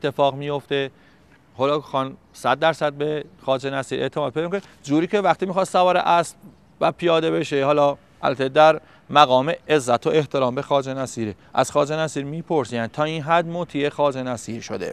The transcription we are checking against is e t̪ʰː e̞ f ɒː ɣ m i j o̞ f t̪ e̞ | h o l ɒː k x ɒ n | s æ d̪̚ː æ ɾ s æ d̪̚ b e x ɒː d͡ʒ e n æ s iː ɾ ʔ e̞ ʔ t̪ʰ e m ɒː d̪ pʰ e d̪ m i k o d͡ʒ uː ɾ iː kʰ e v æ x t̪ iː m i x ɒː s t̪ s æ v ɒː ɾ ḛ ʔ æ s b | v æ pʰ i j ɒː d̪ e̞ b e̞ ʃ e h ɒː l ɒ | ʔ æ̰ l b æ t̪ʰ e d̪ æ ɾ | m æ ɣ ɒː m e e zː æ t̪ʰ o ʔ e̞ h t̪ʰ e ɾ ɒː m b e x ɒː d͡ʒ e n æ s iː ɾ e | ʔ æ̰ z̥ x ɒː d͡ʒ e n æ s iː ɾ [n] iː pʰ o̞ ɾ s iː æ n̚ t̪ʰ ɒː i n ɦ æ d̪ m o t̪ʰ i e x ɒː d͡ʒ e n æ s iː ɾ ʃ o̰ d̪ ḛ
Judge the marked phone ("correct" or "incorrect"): incorrect